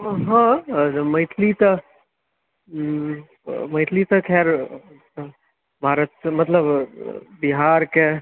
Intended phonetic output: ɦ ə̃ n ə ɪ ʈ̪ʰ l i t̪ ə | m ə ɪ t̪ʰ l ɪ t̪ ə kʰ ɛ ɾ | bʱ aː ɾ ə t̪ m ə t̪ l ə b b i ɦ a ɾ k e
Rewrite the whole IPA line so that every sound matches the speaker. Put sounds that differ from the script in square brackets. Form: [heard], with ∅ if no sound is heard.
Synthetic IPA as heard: ɦ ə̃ [m] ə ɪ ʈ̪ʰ l i t̪ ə | m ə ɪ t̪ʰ l [i] t̪ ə kʰ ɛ ɾ | bʱ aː ɾ ə t̪ m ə t̪ l ə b b i ɦ a ɾ k e